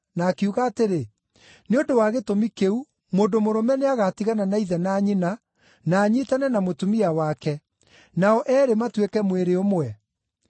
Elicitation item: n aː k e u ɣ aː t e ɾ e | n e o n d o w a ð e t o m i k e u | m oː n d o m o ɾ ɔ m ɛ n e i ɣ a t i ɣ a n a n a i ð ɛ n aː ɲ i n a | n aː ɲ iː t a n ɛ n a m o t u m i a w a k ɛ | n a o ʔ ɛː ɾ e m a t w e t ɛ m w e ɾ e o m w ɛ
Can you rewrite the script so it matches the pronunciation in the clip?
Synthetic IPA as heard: n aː k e u ɣ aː t e ɾ e | n e o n d o w a ɣ e t o m i k e u | m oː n d o m o ɾ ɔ m ɛ n e a ɣ a t i ɣ a n a n a i ð ɛ n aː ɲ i n a | n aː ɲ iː t a n ɛ n a m o t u m i a w a k ɛ | n a ɔ ʔ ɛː ɾ e m a t w e k ɛ m w e ɾ e o m w ɛ